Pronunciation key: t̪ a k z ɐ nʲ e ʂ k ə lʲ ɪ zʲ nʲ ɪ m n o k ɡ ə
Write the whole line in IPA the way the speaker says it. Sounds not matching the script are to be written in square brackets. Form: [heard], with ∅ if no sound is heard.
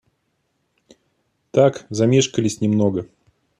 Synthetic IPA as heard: t̪ a k z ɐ [mʲ] e ʂ k ə lʲ ɪ [sʲ] nʲ ɪ m n o [∅] ɡ ə